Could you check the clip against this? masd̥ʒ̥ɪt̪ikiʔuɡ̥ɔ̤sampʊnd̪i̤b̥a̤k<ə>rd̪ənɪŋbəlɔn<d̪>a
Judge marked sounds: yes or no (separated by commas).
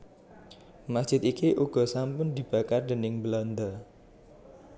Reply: no, yes